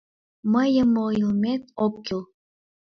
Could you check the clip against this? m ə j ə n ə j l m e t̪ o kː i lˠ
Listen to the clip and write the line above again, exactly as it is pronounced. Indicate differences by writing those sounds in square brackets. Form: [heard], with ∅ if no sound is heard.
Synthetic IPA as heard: m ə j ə [m] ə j l m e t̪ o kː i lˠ